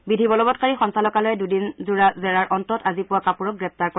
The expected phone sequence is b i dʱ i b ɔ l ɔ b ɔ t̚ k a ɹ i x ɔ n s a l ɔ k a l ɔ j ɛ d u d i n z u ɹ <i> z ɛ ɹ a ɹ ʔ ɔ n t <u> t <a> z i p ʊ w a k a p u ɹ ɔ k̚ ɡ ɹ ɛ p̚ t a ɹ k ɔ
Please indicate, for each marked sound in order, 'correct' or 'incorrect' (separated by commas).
incorrect, incorrect, correct